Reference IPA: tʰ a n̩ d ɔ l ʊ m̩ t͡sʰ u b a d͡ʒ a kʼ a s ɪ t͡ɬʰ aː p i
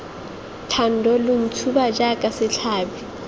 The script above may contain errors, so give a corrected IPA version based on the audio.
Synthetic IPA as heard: tʰ a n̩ d ɔ l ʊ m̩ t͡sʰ u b a d͡ʒ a kʼ a s ɪ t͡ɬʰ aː b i